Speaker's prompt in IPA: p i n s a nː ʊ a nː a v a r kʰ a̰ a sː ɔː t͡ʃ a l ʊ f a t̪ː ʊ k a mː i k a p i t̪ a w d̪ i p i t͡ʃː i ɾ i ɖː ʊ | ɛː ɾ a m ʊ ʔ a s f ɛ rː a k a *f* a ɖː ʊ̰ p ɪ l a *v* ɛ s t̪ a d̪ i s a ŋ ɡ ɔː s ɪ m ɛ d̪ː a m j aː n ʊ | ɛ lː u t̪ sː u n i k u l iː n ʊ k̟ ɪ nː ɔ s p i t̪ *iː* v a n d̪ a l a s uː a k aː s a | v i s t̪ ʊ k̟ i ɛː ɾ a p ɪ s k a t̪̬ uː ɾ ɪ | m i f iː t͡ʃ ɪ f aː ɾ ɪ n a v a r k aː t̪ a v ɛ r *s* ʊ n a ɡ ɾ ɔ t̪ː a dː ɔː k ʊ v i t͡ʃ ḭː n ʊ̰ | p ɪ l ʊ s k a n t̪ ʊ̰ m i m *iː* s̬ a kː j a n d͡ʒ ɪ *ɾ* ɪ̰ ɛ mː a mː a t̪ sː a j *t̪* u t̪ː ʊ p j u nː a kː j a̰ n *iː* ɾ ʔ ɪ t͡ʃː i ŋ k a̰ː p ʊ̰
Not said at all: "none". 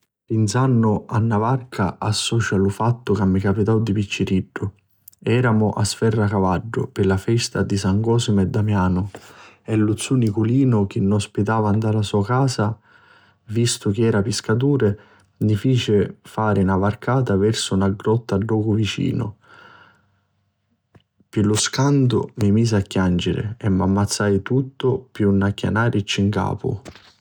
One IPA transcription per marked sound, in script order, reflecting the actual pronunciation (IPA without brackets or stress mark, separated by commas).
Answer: v, f, aː, s, iː, ɾ, t̪, aː